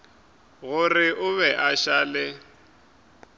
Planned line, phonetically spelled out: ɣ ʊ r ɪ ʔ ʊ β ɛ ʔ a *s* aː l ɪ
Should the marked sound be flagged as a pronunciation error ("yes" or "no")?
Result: yes